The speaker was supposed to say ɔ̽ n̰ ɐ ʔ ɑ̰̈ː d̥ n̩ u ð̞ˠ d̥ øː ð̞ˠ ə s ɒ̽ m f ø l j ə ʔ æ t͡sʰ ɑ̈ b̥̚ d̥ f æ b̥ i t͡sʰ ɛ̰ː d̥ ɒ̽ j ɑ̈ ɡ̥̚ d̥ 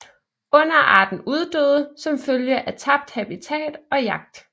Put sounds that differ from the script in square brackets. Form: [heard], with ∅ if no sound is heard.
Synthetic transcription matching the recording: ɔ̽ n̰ ɐ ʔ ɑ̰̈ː d̥ n̩ u ð̞ˠ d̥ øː ð̞ˠ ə s ɒ̽ m f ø l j ə ʔ æ t͡sʰ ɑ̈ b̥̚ d̥ [h] æ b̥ i t͡sʰ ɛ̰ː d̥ ɒ̽ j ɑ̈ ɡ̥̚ d̥